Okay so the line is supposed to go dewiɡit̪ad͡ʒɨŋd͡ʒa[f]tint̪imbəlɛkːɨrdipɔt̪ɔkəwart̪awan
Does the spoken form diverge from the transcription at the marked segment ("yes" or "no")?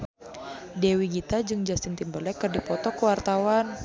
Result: yes